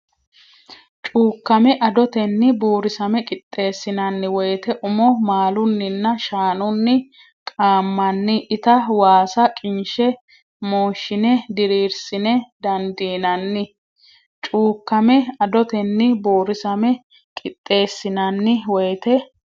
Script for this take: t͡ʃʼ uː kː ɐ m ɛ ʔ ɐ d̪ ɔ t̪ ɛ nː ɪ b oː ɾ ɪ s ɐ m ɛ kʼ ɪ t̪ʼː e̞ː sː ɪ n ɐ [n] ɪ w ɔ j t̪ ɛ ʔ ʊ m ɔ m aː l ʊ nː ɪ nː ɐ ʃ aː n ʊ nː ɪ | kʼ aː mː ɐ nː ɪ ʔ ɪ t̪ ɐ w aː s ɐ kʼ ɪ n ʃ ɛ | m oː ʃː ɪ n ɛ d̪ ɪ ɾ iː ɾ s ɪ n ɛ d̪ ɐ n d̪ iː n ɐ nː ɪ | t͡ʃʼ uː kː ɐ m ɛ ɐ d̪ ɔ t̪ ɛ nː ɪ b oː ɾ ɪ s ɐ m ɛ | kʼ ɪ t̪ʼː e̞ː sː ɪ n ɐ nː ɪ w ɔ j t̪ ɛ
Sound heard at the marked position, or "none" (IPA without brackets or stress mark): nː